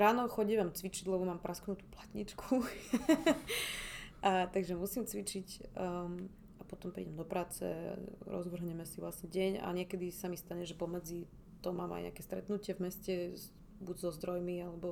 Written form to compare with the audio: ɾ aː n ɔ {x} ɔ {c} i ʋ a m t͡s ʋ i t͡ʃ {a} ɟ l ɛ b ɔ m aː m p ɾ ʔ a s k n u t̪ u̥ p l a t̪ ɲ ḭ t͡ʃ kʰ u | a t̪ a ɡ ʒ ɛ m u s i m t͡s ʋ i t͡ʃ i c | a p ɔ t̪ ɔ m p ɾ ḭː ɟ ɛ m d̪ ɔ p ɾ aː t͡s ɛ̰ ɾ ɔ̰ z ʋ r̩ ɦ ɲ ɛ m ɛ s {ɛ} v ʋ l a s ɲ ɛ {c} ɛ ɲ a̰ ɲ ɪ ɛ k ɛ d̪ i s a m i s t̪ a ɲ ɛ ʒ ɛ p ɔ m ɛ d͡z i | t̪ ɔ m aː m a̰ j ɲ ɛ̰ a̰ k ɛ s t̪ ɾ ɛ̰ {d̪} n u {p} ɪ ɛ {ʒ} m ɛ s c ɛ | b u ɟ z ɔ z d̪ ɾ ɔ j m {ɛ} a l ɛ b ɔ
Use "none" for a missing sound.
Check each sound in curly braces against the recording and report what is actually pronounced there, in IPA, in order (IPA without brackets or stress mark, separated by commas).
x, ɟ, i, i, ɟ, t̪, c, v, i